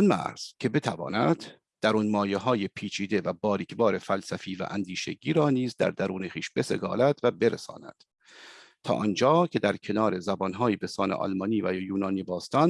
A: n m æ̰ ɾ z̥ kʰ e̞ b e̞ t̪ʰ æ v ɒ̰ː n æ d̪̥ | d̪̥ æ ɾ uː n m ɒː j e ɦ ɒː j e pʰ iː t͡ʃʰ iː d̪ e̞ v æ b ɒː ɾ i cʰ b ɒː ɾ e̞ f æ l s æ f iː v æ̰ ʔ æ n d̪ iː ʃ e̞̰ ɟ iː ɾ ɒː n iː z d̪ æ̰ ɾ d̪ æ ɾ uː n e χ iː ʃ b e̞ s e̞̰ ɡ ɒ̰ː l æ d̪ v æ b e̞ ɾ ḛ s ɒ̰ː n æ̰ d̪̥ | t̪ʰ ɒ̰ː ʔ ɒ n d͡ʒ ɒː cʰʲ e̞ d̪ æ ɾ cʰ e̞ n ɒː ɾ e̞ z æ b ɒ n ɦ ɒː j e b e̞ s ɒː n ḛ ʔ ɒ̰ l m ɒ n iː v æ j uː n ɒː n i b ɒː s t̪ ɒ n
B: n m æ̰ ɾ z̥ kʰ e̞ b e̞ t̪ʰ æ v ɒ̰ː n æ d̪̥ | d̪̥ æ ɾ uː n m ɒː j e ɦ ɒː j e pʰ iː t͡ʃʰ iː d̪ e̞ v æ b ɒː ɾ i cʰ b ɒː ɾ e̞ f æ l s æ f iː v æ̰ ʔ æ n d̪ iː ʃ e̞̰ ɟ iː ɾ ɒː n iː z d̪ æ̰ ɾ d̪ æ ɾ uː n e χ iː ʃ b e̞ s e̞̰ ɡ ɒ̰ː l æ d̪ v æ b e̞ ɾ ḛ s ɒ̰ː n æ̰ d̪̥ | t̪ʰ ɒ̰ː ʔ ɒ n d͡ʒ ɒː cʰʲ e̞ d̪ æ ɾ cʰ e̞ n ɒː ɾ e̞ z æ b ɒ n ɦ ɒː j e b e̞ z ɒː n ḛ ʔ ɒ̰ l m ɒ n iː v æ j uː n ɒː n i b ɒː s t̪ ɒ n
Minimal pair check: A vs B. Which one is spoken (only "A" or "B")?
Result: A